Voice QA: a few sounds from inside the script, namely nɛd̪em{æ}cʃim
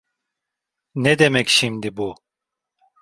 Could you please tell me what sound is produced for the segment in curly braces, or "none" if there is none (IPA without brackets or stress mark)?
ɛ